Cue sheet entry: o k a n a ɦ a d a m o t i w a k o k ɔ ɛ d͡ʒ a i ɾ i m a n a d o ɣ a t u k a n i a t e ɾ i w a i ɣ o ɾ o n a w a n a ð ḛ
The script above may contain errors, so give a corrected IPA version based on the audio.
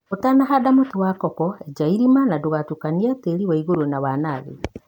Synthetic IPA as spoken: o t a n a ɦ a d a m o t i w a k ɔ k ɔ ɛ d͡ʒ a i ɾ i m a n a d o ɣ a t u k a n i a t e ɾ i w a i ɣ o ɾ o n a w a n a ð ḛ